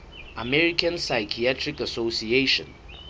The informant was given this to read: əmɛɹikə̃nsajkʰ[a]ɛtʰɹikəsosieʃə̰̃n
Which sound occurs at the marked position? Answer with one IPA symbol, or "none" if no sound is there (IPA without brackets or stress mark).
i